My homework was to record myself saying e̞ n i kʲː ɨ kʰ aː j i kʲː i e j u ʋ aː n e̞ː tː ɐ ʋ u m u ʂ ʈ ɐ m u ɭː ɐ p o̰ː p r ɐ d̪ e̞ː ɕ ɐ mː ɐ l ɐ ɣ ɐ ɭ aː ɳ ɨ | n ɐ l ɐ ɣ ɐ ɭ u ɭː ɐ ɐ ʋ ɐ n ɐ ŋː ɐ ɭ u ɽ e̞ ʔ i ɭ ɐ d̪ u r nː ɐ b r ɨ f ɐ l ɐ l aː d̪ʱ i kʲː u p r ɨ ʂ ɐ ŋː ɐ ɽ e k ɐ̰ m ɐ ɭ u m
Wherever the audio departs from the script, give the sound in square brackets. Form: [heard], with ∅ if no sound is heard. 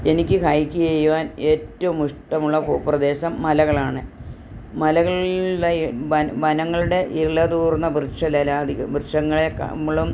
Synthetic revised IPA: e̞ n i kʲː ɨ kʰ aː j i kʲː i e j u ʋ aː n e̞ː tː ɐ ʋ u m u ʂ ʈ ɐ m u ɭː ɐ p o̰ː p r ɐ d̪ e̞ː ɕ ɐ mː ɐ l ɐ ɣ ɐ ɭ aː ɳ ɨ | [m] ɐ l ɐ ɣ ɐ ɭ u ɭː ɐ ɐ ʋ ɐ n ɐ ŋː ɐ ɭ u ɽ e̞ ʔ i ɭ ɐ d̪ [uː] r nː ɐ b r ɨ [ʂ] ɐ l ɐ l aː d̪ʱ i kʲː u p r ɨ ʂ ɐ ŋː ɐ [ɭ] e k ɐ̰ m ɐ ɭ u m